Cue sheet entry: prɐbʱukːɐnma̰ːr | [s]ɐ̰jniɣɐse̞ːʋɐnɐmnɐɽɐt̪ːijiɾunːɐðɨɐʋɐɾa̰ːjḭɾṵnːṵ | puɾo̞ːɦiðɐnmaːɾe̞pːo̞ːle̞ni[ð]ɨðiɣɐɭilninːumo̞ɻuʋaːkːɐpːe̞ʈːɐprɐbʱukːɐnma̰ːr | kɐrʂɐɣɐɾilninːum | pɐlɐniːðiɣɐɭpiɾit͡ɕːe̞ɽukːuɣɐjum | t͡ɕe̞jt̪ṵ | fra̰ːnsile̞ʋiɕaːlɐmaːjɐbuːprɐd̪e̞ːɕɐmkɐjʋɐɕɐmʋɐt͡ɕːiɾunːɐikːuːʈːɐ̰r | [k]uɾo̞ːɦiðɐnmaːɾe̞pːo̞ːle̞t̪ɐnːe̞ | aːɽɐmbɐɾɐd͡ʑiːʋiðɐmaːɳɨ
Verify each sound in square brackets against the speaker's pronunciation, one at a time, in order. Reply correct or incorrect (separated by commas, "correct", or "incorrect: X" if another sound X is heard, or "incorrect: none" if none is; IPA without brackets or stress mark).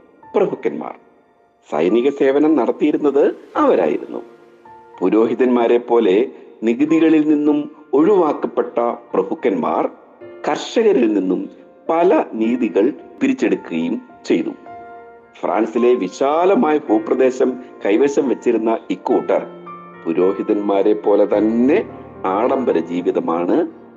correct, incorrect: ɣ, incorrect: p